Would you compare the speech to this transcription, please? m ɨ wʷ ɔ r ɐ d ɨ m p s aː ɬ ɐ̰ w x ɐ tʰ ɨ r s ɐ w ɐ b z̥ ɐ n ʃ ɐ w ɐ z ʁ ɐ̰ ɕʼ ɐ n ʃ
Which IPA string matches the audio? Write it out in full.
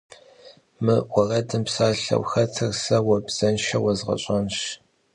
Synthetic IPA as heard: m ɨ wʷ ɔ r ɐ d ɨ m p s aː ɬ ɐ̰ w x ɐ tʰ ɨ r s ɐ w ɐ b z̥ ɐ n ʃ ɐ w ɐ z ʁ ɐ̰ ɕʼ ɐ n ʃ